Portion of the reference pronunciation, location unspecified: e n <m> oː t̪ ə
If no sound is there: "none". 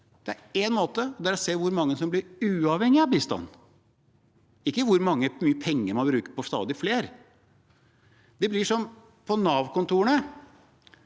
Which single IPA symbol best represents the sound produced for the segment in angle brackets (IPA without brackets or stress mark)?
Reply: m